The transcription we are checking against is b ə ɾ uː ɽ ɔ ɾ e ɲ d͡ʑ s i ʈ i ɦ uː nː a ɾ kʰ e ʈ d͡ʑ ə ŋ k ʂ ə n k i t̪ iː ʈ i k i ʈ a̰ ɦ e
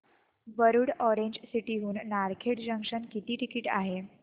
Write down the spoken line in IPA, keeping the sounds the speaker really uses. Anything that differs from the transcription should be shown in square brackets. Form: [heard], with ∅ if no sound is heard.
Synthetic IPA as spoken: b ə ɾ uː ɽ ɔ ɾ e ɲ d͡ʑ s i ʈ i ɦ uː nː a ɾ kʰ e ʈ d͡ʑ ə ŋ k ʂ ə n k i t̪ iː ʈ i k i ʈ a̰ ɦ e